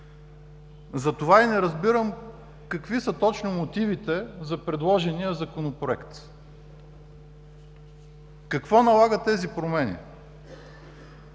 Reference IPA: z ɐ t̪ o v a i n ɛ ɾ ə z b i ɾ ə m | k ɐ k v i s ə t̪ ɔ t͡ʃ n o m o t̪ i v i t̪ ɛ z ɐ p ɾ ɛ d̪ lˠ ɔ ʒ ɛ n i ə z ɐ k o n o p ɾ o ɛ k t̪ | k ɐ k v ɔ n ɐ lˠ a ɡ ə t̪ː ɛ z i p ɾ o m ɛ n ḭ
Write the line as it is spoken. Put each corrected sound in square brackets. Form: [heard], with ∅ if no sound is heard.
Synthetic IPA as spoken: z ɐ t̪ o v a i n ɛ ɾ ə z b i ɾ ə m | k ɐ k v i s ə t̪ ɔ t͡ʃ n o m o t̪ i v i t̪ ɛ z ɐ p ɾ ɛ d̪ lˠ ɔ ʒ ɛ n i ə z ɐ k o n o p ɾ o ɛ k t̪ | k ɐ k v ɔ n ɐ lˠ a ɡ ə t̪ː ɛ z i p ɾ o m ɛ n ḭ